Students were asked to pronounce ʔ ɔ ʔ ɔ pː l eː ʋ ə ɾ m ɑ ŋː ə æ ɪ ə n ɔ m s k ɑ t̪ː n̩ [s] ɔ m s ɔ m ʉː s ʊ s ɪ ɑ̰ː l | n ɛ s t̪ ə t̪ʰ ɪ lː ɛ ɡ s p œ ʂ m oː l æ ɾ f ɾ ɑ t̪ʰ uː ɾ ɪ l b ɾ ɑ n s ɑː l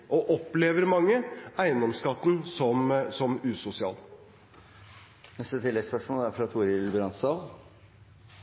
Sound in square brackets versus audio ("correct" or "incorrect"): correct